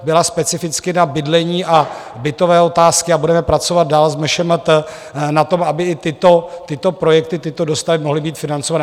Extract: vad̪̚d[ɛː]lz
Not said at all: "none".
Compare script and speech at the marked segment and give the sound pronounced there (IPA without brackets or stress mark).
aː